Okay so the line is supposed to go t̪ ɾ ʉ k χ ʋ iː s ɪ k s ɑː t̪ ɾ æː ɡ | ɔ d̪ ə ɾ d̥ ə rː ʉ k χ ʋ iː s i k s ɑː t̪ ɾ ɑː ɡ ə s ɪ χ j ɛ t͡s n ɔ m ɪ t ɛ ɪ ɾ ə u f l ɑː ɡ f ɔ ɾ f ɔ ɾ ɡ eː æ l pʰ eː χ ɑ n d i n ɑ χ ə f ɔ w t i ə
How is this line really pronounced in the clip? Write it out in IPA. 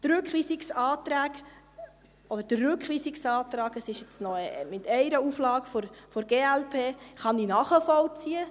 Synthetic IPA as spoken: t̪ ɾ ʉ k χ ʋ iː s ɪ k s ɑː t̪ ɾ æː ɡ | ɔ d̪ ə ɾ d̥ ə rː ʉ k χ ʋ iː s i k s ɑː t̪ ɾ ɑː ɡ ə s ɪ ʃ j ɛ t͡s n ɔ m ɪ t ɛ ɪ ɾ ə u f l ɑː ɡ f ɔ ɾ f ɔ ɾ ɡ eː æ l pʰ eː χ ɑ n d i n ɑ χ ə f ɔ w t͡s i ə